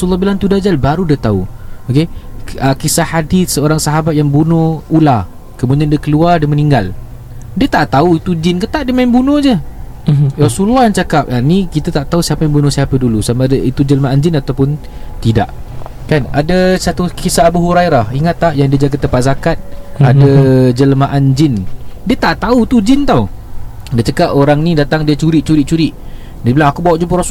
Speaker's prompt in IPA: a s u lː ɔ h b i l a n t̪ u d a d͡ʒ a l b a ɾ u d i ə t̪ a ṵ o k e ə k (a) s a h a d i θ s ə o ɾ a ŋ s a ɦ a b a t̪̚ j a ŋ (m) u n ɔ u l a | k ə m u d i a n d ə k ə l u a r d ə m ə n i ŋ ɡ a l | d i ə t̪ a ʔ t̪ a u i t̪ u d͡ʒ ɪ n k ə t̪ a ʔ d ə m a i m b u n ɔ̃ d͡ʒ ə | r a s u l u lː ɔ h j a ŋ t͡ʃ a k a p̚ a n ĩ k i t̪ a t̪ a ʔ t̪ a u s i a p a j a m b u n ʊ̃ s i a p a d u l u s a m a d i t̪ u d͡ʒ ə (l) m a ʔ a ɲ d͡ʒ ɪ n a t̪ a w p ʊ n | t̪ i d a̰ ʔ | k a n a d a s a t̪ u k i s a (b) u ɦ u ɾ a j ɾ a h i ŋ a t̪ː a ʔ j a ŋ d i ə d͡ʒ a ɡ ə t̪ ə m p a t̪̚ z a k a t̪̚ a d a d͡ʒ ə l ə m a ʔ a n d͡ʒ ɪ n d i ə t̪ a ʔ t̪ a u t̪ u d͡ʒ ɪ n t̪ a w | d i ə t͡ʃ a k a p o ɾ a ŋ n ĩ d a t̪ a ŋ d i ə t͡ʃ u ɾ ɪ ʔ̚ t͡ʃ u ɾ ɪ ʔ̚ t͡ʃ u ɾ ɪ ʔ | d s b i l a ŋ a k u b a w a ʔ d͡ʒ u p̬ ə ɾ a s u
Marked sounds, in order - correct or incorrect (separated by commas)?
incorrect, incorrect, correct, correct